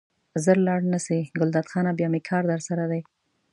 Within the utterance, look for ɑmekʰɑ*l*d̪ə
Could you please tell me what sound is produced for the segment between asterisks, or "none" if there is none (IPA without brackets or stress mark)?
ɾ